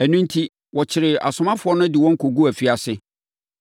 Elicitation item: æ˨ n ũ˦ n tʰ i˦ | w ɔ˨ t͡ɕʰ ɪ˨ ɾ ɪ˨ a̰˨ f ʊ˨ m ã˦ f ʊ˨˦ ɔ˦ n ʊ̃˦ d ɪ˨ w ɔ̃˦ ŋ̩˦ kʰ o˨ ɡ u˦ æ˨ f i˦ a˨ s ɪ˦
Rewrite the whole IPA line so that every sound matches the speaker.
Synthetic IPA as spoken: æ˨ n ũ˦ n tʰ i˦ | w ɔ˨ t͡ɕʰ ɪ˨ ɾ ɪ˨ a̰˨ s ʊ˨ m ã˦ f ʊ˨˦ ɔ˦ n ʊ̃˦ d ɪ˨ w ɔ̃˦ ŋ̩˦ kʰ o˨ ɡ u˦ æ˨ f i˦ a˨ s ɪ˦